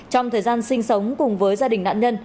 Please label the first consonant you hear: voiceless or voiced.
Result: voiceless